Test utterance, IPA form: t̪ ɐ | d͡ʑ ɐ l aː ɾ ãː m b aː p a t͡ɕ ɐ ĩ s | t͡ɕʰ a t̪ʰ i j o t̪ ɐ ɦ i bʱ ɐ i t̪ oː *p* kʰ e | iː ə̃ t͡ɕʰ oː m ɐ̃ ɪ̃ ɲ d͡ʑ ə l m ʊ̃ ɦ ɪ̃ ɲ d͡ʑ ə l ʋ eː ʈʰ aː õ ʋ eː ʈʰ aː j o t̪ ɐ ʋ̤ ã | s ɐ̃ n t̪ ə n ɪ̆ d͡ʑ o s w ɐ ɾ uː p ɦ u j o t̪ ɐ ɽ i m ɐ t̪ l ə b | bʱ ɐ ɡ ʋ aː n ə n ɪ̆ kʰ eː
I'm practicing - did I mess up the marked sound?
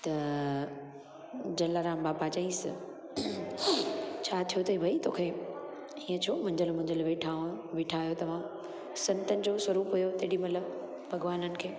yes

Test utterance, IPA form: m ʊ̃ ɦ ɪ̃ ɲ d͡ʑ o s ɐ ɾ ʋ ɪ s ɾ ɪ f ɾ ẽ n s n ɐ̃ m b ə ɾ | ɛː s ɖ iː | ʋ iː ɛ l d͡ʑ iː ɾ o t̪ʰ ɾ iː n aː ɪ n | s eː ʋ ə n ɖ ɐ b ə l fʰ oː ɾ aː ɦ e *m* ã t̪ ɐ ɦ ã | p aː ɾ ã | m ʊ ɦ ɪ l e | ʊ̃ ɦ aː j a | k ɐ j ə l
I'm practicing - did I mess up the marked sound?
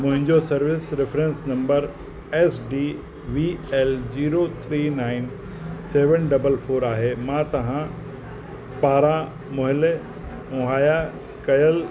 no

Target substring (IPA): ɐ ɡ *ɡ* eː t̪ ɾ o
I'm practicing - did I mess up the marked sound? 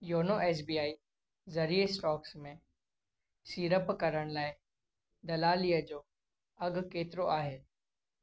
yes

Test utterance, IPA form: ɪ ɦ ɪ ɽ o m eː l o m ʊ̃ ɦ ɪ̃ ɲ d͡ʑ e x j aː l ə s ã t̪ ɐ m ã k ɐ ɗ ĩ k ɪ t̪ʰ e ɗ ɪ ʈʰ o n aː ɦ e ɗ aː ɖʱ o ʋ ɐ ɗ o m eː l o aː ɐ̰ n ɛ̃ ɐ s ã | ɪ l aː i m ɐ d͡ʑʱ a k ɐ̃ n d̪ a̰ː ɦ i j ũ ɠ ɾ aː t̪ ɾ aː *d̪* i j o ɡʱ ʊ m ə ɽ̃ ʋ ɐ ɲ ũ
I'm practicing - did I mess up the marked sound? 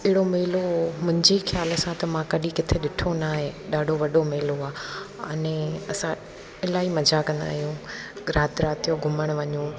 yes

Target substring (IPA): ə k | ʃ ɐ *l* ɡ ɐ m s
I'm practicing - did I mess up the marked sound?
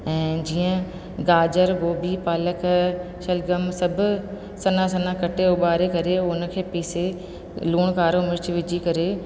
no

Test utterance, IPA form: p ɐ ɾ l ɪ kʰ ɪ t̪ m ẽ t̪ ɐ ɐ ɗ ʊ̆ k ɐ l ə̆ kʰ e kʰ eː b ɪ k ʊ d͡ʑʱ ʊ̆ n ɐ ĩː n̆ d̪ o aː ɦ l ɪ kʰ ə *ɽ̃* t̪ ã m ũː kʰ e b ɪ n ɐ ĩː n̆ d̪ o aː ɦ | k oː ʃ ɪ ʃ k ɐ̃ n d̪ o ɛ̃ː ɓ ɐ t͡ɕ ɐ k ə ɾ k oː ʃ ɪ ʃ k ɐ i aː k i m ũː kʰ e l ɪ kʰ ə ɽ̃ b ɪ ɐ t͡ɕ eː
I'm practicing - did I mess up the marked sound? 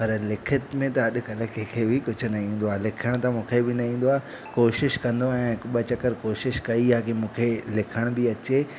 no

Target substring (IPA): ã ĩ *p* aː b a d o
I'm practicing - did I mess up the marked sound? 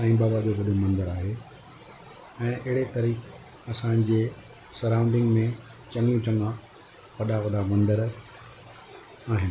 yes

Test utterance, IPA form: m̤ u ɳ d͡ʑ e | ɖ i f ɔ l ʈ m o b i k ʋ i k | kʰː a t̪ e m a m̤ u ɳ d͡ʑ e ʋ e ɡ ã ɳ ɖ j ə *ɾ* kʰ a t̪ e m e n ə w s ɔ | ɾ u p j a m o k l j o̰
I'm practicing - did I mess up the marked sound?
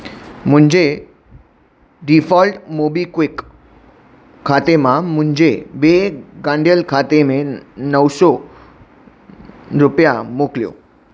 yes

